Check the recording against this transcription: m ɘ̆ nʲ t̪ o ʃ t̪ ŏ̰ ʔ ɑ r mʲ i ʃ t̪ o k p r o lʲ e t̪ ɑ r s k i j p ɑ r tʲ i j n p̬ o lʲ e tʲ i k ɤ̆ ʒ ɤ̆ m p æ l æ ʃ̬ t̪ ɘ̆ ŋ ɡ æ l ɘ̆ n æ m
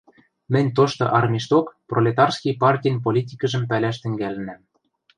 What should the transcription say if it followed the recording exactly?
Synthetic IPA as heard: m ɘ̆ nʲ t̪ o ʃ t̪ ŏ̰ ʔ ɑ r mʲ i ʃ t̪ o k p r o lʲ e t̪ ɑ r s k i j p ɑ r tʲ i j n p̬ o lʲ i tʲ i k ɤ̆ ʒ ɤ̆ m p æ l æ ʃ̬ t̪ ɘ̆ ŋ ɡ æ l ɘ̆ n æ m